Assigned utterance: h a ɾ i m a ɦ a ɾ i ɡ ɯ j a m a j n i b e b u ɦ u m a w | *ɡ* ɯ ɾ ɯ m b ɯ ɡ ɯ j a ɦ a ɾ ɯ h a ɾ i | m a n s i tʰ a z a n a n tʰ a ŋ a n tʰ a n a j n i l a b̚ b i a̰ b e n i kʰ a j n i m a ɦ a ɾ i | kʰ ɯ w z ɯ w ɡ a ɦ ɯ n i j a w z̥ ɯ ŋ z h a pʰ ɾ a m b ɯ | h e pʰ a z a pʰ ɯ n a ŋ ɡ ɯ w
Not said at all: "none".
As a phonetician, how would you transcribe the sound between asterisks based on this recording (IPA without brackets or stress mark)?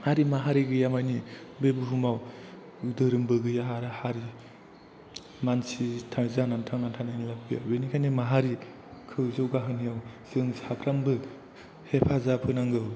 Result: d